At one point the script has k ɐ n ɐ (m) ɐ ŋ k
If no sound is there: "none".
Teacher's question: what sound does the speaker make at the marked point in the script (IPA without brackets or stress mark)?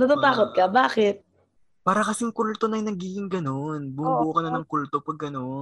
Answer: n